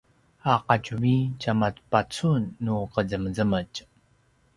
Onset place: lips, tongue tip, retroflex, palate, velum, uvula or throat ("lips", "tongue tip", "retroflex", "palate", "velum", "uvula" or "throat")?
uvula